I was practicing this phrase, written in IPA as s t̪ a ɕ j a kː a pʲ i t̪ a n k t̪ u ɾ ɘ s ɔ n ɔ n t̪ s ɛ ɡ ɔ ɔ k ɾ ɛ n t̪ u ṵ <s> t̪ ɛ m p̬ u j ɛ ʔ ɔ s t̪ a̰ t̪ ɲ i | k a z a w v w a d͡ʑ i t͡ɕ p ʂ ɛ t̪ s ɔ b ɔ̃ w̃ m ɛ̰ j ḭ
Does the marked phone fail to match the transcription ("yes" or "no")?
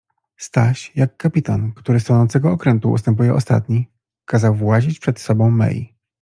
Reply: no